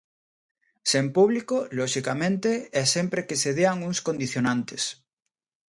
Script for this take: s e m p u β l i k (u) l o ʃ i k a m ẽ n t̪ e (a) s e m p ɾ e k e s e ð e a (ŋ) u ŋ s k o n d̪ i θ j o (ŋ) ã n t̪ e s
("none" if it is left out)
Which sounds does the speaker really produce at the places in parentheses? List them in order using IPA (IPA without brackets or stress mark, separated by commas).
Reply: o, ɛ, ŋ, n